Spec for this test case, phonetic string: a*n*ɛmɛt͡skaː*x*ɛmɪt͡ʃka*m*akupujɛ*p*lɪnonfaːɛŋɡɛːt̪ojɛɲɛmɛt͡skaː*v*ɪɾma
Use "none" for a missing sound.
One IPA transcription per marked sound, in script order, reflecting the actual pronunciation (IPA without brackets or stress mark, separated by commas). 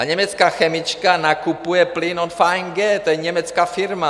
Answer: ɲ, x, n, p, f